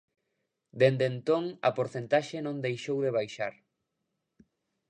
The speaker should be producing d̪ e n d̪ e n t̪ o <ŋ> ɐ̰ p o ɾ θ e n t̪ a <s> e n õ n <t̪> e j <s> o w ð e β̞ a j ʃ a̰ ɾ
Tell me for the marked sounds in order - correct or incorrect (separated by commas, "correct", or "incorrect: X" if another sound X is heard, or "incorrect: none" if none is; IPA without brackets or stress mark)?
correct, incorrect: ʃ, incorrect: d̪, incorrect: ʃ